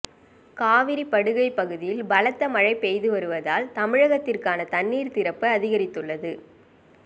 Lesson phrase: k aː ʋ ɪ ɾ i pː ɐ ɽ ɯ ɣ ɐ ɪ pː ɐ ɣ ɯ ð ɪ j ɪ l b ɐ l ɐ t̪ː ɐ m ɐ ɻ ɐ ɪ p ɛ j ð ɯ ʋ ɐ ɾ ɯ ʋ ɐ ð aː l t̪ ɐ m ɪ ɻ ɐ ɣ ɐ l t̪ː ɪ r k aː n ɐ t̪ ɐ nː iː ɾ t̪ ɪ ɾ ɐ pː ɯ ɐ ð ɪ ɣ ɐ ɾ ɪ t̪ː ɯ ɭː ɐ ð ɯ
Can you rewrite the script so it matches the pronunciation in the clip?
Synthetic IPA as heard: k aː ʋ ɪ ɾ i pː ɐ ɽ ɯ ɣ ɐ ɪ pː ɐ ɣ ɯ ð ɪ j ɪ l b ɐ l ɐ t̪ː ɐ m ɐ ɻ ɐ ɪ p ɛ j ð ɯ ʋ ɐ ɾ ɯ ʋ ɐ ð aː l t̪ ɐ m ɪ ɻ ɐ ɣ ɐ t̪ː ɪ r k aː n ɐ t̪ ɐ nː iː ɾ t̪ ɪ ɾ ɐ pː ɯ ɐ ð ɪ ɣ ɐ ɾ ɪ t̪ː ɯ ɭː ɐ ð ɯ

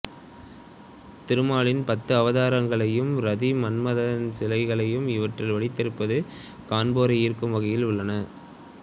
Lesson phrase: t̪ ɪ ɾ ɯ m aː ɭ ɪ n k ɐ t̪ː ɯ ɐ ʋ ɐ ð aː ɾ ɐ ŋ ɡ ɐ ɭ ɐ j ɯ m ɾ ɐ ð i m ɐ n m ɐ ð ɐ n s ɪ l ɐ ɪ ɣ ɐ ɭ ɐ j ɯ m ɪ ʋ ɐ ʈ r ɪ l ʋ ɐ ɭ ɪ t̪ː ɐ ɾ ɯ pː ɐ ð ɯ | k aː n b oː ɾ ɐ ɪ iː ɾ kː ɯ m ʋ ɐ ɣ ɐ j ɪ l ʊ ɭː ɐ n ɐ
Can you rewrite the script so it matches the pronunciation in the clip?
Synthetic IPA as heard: t̪ ɪ ɾ ɯ m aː ɭ ɪ n p ɐ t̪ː ɯ ɐ ʋ ɐ ð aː ɾ ɐ ŋ ɡ ɐ ɭ ɐ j ɯ m ɾ ɐ ð i m ɐ n m ɐ ð ɐ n s ɪ l ɐ ɪ ɣ ɐ ɭ ɐ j ɯ m ɪ ʋ ɐ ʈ r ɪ l ʋ ɐ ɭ ɪ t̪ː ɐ ɾ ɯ pː ɐ ð ɯ | k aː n b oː ɾ ɐ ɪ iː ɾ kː ɯ m ʋ ɐ ɣ ɐ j ɪ l ʊ ɭː ɐ n ɐ

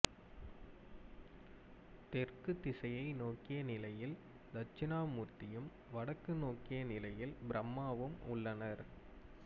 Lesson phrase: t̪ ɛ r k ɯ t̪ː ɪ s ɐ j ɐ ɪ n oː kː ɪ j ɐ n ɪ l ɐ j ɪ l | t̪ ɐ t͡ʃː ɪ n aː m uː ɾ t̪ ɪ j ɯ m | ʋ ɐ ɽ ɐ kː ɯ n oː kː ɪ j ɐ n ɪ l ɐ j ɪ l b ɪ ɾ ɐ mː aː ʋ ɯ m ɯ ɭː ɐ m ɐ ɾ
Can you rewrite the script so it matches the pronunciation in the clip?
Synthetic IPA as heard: t̪ ɛ r k ɯ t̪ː ɪ s ɐ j ɐ ɪ n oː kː ɪ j ɐ n ɪ l ɐ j ɪ l | d̪ ɐ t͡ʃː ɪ n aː m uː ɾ t̪ ɪ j ɯ m | ʋ ɐ ɽ ɐ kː ɯ n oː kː ɪ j ɐ n ɪ l ɐ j ɪ l b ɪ ɾ ɐ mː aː ʋ ɯ m ʊ ɭː ɐ n ɐ ɾ

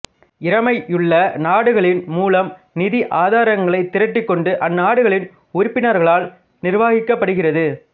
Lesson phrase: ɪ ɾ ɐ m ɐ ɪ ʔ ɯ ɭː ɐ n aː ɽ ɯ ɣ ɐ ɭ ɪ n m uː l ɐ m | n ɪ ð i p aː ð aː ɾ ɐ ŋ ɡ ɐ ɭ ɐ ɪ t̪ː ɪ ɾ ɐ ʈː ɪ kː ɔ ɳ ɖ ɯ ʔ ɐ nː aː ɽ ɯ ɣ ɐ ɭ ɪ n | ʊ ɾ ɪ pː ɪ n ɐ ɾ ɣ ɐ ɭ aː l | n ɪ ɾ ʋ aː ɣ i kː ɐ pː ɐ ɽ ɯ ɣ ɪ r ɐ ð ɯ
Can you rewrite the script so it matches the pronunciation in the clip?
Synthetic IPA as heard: ɪ ɾ ɐ m ɐ ɪ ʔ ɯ ɭː ɐ n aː ɽ ɯ ɣ ɐ ɭ ɪ n m uː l ɐ m | n ɪ ð i ʔ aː ð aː ɾ ɐ ŋ ɡ ɐ ɭ ɐ ɪ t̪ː ɪ ɾ ɐ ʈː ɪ kː ɔ ɳ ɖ ɯ ʔ ɐ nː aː ɽ ɯ ɣ ɐ ɭ ɪ n | ʊ ɾ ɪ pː ɪ n ɐ ɾ ɣ ɐ ɭ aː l | n ɪ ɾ ʋ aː ɣ ɪ kː ɐ pː ɐ ɽ ɯ ɣ ɪ r ɐ ð ɯ

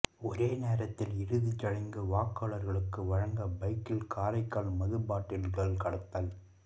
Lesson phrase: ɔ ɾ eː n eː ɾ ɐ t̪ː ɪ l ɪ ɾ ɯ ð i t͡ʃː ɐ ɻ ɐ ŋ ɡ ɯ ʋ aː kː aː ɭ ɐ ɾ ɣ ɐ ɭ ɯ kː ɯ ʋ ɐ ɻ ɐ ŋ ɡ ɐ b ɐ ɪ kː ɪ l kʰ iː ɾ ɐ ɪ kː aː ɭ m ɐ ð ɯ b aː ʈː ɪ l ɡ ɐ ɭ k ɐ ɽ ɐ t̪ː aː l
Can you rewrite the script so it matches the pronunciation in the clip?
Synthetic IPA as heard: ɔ ɾ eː n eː ɾ ɐ t̪ː ɪ l ɪ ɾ ɯ ð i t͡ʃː ɐ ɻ ɐ ŋ ɡ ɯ ʋ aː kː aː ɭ ɐ ɾ ɣ ɐ ɭ ɯ kː ɯ ʋ ɐ ɻ ɐ ŋ ɡ ɐ b ɐ ɪ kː ɪ l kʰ aː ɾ ɐ ɪ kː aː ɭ m ɐ ð ɯ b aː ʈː ɪ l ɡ ɐ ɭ k ɐ ɽ ɐ t̪ː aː l

